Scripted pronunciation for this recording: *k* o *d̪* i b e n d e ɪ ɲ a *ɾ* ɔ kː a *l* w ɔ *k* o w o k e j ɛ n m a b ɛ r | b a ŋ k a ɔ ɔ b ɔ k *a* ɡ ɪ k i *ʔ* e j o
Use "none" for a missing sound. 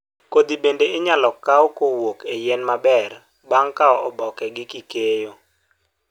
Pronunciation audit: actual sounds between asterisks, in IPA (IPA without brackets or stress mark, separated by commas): k, d̪, l, none, k, ɛ, k